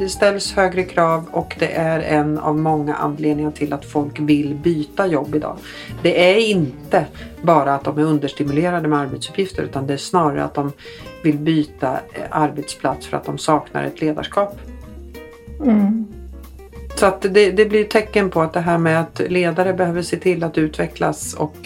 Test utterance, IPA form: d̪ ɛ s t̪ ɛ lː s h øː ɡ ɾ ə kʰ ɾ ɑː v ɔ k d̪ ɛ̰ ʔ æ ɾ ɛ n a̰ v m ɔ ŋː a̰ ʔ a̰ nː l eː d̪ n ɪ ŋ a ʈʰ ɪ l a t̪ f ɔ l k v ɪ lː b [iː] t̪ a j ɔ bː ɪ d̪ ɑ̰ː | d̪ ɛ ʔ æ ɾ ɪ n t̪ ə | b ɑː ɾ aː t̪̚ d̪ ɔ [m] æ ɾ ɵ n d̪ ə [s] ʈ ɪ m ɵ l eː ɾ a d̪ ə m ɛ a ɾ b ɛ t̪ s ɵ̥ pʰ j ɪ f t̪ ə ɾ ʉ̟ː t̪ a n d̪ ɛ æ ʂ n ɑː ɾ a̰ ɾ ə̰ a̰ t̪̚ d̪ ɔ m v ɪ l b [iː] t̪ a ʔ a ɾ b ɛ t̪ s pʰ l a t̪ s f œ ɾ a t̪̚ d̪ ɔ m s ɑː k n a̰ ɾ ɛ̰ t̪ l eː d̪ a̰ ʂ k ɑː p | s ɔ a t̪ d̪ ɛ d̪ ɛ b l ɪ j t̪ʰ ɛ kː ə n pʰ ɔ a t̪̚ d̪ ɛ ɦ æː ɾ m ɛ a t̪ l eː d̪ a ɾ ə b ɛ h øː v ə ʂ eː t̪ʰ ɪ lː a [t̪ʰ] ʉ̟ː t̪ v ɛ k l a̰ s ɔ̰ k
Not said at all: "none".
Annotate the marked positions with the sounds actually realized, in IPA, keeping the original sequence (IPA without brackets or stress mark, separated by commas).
yː, m, ʂ, yː, t̪